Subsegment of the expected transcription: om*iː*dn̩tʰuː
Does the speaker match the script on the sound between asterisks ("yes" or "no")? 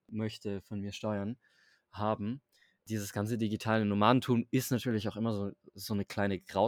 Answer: no